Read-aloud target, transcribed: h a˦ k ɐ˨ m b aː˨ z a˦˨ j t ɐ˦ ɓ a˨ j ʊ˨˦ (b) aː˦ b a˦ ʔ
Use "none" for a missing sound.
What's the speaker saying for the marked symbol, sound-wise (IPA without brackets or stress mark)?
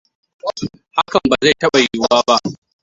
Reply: w